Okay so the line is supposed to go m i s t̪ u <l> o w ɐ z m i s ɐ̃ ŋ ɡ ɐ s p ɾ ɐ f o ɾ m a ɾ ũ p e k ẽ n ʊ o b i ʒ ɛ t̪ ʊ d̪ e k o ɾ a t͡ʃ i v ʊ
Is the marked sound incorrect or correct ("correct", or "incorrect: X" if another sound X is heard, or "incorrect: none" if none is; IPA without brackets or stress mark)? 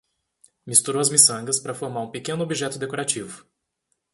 incorrect: ɾ